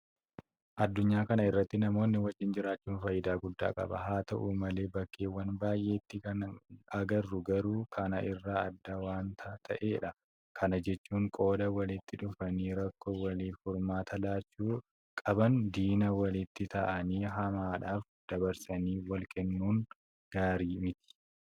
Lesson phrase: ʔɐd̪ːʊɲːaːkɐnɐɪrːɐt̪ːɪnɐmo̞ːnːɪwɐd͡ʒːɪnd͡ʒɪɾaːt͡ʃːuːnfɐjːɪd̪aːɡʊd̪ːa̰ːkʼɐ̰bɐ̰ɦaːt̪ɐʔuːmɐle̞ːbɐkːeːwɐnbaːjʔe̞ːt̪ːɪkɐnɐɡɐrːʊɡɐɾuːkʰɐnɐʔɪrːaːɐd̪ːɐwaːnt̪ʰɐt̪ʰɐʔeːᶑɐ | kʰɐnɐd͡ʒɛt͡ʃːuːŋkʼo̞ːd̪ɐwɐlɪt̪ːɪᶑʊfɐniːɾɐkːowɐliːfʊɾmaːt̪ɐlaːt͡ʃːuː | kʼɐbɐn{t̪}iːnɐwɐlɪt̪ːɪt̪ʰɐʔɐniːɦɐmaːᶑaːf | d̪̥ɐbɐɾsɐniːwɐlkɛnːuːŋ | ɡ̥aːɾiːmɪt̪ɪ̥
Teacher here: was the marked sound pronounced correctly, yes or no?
no